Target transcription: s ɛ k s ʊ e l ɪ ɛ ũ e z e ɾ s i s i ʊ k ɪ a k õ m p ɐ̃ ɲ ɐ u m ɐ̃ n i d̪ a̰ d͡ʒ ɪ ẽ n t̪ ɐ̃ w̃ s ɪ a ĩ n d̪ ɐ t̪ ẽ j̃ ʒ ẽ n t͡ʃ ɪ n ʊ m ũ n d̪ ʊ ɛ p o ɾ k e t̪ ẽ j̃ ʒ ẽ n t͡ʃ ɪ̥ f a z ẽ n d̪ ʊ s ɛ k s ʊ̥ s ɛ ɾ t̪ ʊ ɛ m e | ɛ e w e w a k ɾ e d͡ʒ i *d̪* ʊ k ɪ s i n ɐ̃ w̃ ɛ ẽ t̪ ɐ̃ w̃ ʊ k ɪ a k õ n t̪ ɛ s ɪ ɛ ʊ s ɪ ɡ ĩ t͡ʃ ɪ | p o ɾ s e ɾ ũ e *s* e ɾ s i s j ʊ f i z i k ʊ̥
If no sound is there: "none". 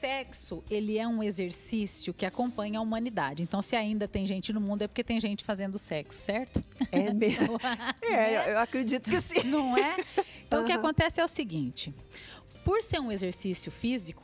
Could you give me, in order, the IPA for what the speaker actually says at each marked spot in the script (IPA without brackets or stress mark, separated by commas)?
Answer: t̪, z